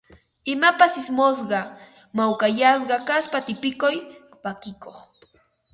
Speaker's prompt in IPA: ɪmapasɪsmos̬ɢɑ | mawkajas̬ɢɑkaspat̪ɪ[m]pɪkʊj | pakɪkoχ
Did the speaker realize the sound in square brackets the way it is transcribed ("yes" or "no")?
no